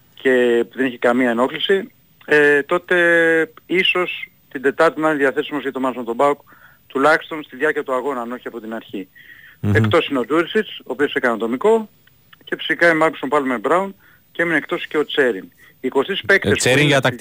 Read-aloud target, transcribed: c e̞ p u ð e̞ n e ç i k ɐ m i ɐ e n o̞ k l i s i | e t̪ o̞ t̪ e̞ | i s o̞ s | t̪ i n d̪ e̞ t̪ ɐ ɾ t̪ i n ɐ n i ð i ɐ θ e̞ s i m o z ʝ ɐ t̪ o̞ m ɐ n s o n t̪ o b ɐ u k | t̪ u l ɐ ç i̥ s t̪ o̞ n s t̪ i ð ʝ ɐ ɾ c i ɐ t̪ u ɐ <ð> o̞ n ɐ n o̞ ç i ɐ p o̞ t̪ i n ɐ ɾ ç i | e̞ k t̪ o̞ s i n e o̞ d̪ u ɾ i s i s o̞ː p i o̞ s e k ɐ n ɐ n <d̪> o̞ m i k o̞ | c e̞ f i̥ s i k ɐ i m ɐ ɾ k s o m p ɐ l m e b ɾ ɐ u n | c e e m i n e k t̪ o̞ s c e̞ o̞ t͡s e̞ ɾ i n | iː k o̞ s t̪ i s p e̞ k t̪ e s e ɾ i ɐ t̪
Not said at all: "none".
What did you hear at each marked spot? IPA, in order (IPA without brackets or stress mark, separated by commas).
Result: ɣ, t̪